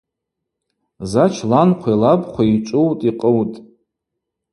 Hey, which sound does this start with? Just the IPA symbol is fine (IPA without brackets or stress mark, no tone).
z